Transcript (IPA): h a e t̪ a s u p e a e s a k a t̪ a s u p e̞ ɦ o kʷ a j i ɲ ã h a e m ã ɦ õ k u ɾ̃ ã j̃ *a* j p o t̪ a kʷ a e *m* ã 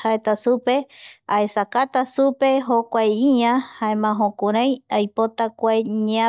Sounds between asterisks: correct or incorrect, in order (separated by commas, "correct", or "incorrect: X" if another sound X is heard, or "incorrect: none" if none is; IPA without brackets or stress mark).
correct, incorrect: ɲ